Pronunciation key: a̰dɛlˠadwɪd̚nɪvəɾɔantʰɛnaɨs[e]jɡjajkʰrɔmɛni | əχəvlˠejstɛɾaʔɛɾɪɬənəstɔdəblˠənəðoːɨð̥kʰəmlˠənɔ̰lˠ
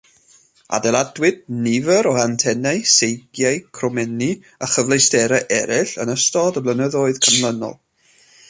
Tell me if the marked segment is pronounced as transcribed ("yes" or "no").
yes